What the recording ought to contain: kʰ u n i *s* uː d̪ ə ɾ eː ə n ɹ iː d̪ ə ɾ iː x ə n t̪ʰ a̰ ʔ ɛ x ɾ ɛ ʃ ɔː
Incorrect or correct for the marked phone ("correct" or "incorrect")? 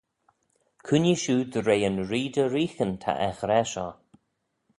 incorrect